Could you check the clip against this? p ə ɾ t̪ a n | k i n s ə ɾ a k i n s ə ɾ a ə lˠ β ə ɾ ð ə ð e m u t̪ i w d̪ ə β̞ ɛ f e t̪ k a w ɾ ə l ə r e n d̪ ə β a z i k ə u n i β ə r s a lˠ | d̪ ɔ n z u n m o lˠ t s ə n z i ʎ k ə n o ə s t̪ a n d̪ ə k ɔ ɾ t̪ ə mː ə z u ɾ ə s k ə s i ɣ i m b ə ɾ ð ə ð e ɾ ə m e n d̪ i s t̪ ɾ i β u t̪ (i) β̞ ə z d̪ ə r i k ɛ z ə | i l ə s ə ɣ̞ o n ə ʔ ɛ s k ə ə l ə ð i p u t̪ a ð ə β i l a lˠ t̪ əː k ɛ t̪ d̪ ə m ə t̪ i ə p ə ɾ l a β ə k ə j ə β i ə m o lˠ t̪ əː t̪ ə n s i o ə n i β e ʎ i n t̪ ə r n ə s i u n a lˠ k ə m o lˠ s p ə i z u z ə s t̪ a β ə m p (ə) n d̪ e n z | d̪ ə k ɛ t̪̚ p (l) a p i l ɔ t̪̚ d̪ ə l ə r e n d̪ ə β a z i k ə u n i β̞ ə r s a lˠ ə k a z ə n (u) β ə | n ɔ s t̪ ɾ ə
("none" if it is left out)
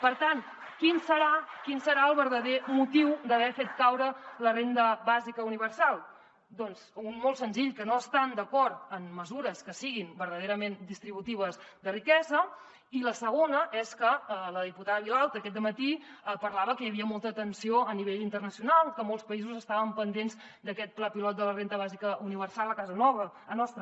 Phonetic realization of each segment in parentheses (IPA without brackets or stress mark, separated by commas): i, ə, l, ɔ